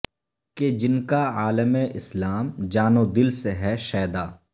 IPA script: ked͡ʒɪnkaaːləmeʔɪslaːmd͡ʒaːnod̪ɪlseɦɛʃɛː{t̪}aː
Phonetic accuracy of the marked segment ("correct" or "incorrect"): incorrect